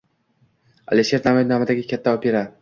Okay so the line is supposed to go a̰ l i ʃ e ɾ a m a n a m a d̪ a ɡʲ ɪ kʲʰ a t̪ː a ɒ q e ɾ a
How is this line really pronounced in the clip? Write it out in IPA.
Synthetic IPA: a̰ l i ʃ e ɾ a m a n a m a d̪ a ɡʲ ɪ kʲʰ a t̪ː a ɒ p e ɾ a